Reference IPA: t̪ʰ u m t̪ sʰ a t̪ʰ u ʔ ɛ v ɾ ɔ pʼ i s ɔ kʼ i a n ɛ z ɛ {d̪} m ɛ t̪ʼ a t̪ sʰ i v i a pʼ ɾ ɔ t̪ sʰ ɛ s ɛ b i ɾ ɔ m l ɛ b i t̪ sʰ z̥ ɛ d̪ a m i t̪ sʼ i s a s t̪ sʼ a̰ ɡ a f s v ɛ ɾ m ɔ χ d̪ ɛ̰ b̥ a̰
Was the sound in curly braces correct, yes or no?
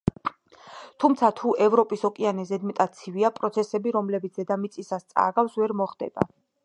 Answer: yes